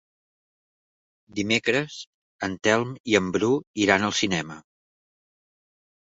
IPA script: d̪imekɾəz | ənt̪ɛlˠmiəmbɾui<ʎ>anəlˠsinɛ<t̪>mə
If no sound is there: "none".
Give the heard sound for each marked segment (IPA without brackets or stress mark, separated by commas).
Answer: ɾ, none